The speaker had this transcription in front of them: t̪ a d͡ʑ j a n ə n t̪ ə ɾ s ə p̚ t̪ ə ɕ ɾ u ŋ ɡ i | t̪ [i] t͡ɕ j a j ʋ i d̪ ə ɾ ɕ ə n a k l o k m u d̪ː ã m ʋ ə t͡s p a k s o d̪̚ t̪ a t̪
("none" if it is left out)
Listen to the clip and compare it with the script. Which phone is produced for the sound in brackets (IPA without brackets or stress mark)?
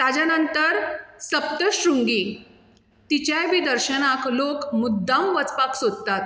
i